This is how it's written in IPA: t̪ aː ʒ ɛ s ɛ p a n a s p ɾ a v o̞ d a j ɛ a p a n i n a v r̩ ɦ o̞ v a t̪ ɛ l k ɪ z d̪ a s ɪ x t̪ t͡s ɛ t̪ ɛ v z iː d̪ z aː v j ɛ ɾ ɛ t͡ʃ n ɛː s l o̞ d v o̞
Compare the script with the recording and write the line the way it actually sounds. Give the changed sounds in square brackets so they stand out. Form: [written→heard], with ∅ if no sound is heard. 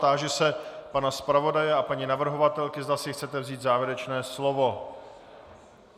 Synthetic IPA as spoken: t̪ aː ʒ ɛ s ɛ p a n a s p ɾ a v o̞ d a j ɛ a p a [n→ɲ] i n a v r̩ ɦ o̞ v a t̪ ɛ l k ɪ z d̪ a s ɪ x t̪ t͡s ɛ t̪ ɛ v z iː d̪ z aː v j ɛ ɾ ɛ t͡ʃ n ɛː s l o̞ [d→∅] v o̞